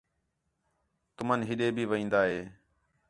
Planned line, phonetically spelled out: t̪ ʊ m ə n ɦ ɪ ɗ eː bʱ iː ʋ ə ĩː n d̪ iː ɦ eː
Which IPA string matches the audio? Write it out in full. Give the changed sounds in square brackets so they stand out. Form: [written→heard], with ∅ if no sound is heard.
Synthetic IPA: t̪ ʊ m ə n ɦ ɪ ɗ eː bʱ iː ʋ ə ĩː n d̪ [iː→aː] ɦ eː